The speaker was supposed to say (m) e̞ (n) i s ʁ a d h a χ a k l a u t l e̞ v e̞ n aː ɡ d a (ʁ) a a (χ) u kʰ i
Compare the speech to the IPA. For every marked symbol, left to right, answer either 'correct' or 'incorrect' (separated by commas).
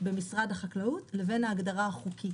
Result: incorrect, incorrect, correct, correct